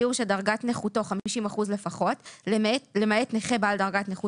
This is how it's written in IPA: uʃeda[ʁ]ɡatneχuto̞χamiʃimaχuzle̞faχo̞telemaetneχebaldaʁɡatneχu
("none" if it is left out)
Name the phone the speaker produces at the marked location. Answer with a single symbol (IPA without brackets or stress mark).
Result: ʁ